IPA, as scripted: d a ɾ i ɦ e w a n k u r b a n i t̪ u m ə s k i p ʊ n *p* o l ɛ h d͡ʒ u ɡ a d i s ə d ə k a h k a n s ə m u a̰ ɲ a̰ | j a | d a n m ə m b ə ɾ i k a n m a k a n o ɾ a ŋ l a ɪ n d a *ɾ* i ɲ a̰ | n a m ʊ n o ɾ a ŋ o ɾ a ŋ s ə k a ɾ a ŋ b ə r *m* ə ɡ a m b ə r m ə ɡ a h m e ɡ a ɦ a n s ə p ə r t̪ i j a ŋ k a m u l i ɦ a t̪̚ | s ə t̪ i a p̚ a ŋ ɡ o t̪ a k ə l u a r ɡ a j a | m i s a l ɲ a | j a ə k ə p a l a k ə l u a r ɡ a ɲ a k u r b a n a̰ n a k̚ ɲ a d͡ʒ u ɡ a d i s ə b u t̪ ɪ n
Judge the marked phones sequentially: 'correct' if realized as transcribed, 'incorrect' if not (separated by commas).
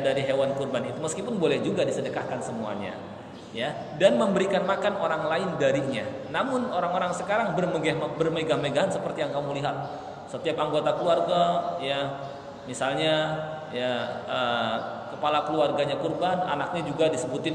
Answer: incorrect, correct, correct